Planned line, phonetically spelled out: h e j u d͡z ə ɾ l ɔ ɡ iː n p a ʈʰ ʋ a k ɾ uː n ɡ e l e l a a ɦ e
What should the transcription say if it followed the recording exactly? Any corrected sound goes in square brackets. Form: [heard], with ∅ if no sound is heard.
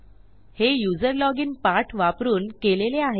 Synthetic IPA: h e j u d͡z ə ɾ l ɔ ɡ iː n p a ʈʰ ʋ a [p] ɾ uː n [k] e l e l [e] a ɦ e